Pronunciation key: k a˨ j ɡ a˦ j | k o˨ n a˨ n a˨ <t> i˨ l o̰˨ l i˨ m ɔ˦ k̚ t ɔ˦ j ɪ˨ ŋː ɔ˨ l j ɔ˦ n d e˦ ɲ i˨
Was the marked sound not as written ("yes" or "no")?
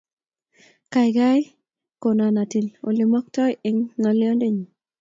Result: no